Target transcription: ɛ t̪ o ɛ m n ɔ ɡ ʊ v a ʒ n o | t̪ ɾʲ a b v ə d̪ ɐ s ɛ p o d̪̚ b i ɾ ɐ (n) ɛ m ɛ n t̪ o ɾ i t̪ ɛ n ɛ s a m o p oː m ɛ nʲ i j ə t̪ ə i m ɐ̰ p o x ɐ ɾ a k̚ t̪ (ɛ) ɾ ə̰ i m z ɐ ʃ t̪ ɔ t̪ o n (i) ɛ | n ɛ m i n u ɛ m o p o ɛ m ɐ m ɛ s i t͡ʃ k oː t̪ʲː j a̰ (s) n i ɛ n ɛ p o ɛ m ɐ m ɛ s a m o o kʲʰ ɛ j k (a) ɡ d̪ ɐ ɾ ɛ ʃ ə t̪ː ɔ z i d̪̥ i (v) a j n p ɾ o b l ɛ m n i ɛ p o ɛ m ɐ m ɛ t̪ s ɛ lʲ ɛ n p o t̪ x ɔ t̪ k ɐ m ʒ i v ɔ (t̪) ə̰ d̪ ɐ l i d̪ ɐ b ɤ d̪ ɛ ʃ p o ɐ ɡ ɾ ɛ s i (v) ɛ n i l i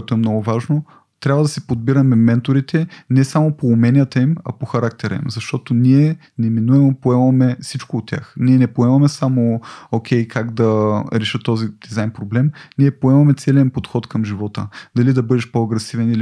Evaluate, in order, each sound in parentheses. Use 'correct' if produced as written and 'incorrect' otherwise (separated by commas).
incorrect, correct, correct, incorrect, correct, incorrect, correct, correct